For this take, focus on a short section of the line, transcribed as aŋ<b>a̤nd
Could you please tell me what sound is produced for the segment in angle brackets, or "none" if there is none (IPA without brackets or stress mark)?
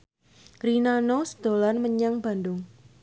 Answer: b